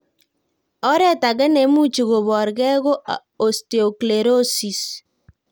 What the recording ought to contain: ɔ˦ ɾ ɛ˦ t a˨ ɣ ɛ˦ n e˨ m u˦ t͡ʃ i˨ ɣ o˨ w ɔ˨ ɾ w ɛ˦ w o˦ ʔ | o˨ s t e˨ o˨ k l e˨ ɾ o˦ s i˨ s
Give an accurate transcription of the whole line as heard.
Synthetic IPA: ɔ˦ ɾ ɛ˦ t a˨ ɣ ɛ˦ n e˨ m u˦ t͡ʃ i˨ ɣ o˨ β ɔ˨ ɾ ɣ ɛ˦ ɣ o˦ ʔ | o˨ s t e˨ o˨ k l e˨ ɾ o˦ s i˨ s